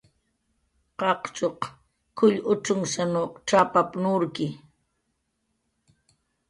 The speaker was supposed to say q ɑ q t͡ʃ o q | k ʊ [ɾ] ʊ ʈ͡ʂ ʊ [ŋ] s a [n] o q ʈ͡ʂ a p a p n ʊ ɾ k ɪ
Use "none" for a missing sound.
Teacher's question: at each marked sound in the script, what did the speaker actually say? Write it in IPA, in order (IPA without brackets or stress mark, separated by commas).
ʎ, ŋ, n